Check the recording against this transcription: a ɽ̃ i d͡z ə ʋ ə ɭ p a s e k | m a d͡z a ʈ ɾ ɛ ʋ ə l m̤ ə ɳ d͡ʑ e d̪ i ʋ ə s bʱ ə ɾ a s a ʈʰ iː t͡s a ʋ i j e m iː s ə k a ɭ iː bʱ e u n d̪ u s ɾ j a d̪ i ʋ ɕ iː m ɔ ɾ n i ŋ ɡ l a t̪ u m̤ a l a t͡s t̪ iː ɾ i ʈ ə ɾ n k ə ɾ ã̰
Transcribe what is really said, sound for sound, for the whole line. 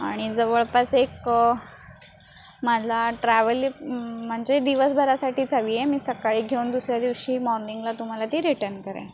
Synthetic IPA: a ɽ̃ i d͡z ə ʋ ə ɭ p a s e k | m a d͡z a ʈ ɾ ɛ ʋ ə l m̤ ə ɳ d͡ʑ e d̪ i ʋ ə s bʱ ə ɾ a s a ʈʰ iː t͡s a ʋ i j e m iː s ə k a ɭ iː ɡʱ e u n d̪ u s ɾ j a d̪ i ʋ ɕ iː m ɔ ɾ n i ŋ ɡ l a t̪ u m̤ a l a t̪ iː ɾ i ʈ ə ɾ n k ə ɾ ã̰